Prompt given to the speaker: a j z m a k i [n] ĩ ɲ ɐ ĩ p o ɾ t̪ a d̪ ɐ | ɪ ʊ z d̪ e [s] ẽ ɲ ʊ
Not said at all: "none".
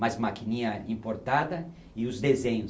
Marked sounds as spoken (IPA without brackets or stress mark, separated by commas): n, z